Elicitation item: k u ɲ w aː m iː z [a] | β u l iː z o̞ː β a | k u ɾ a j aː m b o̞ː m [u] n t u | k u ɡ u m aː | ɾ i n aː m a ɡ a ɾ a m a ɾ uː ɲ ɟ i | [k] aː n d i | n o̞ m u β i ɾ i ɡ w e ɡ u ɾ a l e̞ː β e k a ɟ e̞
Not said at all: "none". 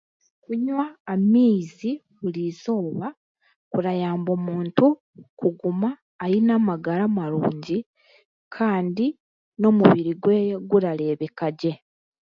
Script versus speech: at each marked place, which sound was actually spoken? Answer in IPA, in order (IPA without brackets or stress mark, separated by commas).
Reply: i, uː, kʰ